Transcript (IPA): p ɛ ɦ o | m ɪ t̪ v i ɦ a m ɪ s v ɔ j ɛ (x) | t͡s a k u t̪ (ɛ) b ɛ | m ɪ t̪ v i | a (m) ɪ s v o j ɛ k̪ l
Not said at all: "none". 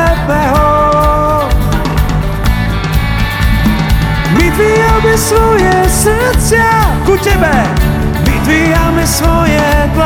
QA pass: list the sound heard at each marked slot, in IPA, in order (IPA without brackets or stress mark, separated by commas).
s, ɛ, m